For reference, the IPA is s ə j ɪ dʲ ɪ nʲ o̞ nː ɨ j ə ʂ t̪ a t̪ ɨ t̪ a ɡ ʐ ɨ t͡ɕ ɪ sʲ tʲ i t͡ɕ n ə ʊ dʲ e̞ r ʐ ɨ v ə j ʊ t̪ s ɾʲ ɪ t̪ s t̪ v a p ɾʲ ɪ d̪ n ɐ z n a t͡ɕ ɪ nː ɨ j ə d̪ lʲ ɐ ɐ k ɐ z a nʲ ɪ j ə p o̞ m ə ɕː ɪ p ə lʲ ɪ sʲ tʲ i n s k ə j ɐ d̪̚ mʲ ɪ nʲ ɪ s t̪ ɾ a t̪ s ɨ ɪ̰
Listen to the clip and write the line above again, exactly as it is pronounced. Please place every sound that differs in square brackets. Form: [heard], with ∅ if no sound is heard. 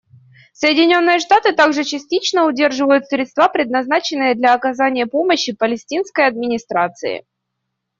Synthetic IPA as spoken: s ə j ɪ dʲ ɪ nʲ o̞ nː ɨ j ə ʂ t̪ a t̪ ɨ t̪ a ɡ ʐ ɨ t͡ɕ ɪ sʲ tʲ i t͡ɕ n ə ʊ dʲ e̞ r ʐ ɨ v ə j ʊ t̪ s ɾʲ ɪ t̪ s t̪ v a p ɾʲ ɪ d̪ n ɐ z n a t͡ɕ ɪ nː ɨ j ə d̪ lʲ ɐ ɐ k ɐ z a nʲ ɪ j ə p o̞ m ə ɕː ɪ p ə lʲ ɪ sʲ tʲ i n s k ə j ɐ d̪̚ mʲ ɪ nʲ ɪ s t̪ ɾ a t̪ s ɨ ɪ̰